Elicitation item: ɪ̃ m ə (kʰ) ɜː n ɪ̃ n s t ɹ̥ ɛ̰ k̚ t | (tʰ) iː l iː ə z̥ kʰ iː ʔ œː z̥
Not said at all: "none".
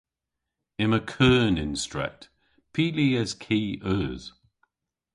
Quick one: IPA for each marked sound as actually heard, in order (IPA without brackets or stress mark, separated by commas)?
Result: kʰ, pʰ